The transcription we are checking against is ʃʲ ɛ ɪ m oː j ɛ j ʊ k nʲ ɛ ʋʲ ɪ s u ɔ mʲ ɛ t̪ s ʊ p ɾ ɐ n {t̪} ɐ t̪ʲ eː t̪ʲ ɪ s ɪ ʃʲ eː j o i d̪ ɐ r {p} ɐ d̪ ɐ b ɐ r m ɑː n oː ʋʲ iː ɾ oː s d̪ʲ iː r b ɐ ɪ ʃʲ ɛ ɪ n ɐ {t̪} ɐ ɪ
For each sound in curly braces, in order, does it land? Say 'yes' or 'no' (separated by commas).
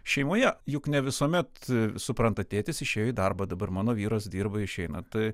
yes, no, yes